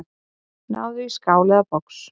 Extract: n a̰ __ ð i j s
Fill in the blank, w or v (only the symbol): w